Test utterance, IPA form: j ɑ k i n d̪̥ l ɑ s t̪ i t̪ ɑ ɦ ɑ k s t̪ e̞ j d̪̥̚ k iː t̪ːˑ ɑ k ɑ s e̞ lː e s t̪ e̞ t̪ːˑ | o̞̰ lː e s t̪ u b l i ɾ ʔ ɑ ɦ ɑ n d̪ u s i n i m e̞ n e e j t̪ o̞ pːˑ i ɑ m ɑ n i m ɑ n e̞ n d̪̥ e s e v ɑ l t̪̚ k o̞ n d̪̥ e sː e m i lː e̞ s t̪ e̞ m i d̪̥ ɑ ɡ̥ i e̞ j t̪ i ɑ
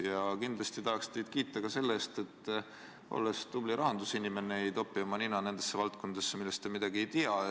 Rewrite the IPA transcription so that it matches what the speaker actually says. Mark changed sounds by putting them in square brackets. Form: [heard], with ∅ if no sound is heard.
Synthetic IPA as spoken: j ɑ k i n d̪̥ l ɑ s t̪ i t̪ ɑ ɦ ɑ k s t̪ e̞ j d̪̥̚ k iː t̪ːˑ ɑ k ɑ s e̞ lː e s t̪ e̞ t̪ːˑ | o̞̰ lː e s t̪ u b l i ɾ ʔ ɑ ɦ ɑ n d̪ u s i n i m e̞ n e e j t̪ o̞ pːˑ i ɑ m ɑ n i [n] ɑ n e̞ n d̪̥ e [sː] e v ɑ l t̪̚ k o̞ n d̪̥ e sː e m i lː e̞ s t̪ e̞ m i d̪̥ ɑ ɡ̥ i e̞ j t̪ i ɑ